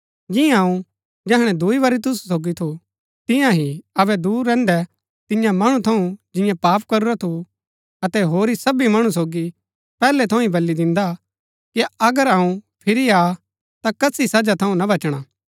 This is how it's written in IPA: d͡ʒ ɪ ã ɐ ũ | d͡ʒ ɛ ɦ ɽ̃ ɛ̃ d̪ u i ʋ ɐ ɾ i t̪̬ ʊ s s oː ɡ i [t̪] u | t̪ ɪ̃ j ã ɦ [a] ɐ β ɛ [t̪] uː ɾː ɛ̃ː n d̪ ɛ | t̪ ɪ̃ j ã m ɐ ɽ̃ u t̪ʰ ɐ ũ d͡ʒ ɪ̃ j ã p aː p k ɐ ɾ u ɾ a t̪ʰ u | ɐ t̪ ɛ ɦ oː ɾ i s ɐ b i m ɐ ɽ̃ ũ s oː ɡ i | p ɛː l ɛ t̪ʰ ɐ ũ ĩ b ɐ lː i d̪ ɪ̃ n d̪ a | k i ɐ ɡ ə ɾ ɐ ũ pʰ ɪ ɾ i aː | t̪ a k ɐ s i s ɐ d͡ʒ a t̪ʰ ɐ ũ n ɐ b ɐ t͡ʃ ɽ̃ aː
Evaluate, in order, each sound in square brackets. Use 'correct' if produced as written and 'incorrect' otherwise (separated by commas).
incorrect, incorrect, incorrect